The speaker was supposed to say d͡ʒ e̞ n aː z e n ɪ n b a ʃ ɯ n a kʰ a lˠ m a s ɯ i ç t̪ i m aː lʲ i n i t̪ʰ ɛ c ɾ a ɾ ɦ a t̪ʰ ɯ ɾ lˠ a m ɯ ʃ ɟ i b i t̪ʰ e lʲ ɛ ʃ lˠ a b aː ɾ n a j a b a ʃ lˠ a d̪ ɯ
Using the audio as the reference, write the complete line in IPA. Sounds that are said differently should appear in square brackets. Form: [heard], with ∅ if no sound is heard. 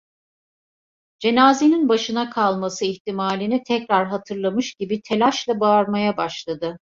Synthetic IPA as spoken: d͡ʒ e̞ n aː z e n [i] n b a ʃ ɯ n a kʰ a lˠ m a s ɯ i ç t̪ i m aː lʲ i n i t̪ʰ ɛ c ɾ a ɾ ɦ a t̪ʰ ɯ ɾ lˠ a m ɯ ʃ ɟ i b i t̪ʰ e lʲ [a] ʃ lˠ a b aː ɾ [m] a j a b a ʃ lˠ a d̪ ɯ

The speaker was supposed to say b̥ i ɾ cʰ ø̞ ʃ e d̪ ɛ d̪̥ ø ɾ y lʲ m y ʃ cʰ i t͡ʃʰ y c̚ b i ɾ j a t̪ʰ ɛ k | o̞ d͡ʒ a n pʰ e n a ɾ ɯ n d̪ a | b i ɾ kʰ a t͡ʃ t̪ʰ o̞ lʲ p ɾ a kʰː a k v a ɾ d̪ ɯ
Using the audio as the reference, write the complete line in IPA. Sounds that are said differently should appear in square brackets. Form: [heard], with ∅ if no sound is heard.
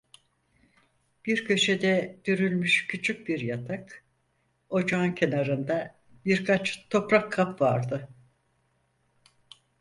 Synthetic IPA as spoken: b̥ i ɾ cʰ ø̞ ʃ e d̪ ɛ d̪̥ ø ɾ y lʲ m y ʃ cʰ [y] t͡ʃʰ y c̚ b i ɾ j a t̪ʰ [a] k | o̞ d͡ʒ a n [cʰ] e n a ɾ ɯ n d̪ a | b i ɾ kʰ a t͡ʃ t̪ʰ o̞ [∅] p ɾ a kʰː a [p] v a ɾ d̪ ɯ

